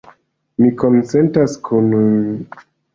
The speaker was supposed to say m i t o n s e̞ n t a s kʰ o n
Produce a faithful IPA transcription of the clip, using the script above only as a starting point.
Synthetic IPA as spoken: m i k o n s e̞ n t a s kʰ u n